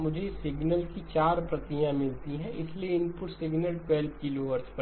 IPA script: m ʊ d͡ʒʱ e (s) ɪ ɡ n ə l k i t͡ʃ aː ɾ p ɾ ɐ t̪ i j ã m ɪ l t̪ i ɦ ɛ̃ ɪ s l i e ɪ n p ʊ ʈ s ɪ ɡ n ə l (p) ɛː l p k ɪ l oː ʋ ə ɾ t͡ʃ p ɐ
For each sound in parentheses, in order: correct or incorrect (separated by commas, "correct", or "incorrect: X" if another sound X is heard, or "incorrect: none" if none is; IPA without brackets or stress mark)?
correct, correct